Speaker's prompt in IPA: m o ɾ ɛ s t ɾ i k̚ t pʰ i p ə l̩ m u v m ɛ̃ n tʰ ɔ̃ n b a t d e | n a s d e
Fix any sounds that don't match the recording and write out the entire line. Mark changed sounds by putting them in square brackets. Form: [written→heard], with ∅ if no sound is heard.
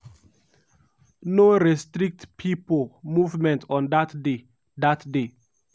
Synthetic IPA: [m→n] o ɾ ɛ s t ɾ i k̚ t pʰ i p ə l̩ m u v m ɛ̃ n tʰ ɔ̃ n [b→d] a t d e | [n→d] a [s→t] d e